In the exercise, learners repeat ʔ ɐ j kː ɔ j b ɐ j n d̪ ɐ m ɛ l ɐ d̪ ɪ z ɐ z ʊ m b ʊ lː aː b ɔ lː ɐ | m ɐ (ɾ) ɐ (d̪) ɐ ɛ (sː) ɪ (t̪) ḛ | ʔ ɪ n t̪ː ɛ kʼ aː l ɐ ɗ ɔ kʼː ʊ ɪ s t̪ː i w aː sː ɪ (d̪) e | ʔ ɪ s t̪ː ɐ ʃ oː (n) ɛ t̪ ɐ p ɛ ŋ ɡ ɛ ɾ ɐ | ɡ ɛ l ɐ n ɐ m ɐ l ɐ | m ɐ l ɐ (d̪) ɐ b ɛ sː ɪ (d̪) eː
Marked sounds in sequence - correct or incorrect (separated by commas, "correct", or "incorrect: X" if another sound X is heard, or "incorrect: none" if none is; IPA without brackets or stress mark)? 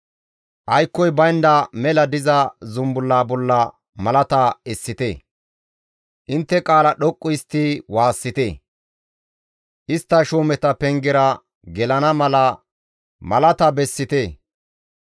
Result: incorrect: l, incorrect: t̪, correct, correct, incorrect: t̪, incorrect: m, incorrect: t̪, incorrect: t̪